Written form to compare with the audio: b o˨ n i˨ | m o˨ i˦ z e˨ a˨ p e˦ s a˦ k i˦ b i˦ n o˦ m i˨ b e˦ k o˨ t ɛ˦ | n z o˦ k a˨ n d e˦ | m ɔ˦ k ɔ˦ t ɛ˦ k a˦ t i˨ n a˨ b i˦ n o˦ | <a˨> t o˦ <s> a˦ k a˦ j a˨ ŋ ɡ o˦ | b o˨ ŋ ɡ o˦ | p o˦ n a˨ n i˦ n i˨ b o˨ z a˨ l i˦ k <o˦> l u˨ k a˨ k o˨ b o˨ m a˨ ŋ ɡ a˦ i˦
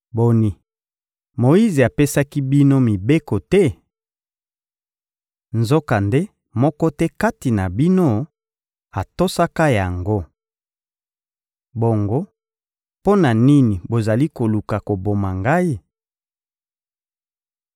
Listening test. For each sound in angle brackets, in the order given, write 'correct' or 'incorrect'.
correct, correct, incorrect: o˨

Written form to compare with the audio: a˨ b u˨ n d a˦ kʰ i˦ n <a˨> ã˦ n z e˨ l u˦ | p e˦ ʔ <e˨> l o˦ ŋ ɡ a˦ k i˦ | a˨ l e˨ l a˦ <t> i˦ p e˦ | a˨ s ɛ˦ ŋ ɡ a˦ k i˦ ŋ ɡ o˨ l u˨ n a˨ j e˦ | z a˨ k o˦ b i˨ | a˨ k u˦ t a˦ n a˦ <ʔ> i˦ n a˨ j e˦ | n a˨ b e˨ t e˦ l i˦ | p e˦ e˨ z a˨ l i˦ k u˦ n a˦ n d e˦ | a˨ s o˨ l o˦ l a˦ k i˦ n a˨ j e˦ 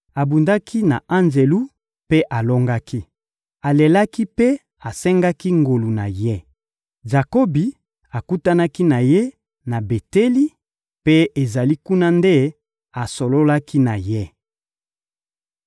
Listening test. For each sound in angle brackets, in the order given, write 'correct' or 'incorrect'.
correct, incorrect: a˨, incorrect: k, incorrect: k

